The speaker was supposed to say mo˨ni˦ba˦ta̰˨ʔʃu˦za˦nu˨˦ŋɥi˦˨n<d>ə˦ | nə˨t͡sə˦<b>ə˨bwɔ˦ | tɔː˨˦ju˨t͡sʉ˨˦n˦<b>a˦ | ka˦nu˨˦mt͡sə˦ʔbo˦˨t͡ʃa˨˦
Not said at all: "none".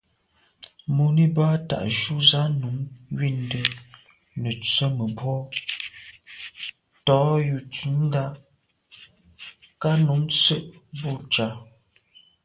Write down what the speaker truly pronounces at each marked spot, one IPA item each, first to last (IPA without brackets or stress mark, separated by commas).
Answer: d, m, d